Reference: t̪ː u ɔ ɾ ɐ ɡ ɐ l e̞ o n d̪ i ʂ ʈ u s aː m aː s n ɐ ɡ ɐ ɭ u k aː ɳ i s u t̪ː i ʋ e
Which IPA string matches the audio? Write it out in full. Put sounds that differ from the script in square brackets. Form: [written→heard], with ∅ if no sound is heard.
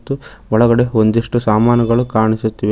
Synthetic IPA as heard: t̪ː u ɔ [ɾ→ɭ] ɐ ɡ ɐ [l→ɽ] e̞ o n d̪ i ʂ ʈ u s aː m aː [s→∅] n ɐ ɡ ɐ ɭ u k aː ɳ i s u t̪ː i ʋ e